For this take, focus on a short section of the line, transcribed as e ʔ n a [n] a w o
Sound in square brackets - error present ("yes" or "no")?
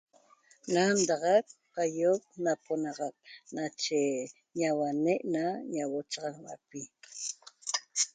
yes